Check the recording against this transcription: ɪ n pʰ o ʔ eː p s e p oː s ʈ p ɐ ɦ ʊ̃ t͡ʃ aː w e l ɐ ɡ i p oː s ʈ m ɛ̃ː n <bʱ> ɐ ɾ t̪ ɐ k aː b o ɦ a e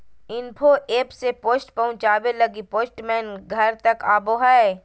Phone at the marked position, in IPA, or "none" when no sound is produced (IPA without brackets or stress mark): ɡʱ